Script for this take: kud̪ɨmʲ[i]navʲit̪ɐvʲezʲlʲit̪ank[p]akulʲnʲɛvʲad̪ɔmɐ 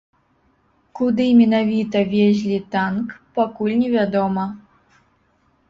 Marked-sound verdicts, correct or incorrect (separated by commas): incorrect, correct